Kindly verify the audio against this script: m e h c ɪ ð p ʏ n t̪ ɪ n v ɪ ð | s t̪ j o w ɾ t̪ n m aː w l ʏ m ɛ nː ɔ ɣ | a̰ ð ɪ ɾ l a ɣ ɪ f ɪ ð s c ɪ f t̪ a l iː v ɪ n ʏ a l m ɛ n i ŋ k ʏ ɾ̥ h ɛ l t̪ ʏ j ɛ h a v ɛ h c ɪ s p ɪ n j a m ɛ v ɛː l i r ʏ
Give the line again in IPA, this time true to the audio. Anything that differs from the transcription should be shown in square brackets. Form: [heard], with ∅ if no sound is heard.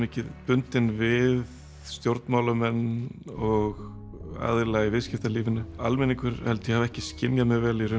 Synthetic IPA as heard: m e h c ɪ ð p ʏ n t̪ ɪ n v ɪ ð | s t̪ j o w ɾ t̪ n m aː w l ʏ m ɛ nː ɔ ɣ | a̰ ð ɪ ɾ l a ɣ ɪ [v] ɪ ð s c ɪ f t̪ a l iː v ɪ n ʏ a l m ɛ n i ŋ k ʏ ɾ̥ h ɛ l t̪ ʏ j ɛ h a v ɛ h c ɪ s [c] ɪ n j a m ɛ v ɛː l i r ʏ